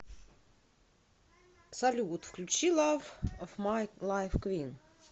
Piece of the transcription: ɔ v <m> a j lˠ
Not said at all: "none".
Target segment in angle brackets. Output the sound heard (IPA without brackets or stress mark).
m